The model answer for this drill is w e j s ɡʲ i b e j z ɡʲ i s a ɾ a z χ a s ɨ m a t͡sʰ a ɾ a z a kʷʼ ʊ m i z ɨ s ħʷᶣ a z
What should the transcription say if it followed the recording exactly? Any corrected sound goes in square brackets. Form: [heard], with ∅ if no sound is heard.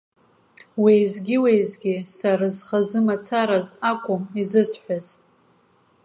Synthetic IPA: w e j [z] ɡʲ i [w] e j z ɡʲ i s a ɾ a z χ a [z] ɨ m a t͡sʰ a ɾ a z a kʷʼ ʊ m i z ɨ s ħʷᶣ a z